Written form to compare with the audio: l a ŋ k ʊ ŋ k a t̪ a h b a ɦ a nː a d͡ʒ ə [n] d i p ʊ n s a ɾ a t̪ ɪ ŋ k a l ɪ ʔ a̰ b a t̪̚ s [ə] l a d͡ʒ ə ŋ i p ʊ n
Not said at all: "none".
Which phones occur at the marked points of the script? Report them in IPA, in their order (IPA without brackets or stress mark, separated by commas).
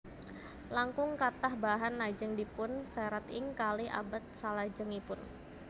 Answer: ŋ, a